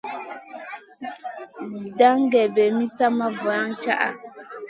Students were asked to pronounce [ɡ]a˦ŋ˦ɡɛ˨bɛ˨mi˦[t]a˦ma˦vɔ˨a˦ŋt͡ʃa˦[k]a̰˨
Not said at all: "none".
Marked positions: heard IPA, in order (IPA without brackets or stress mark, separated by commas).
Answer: d, s, ʔ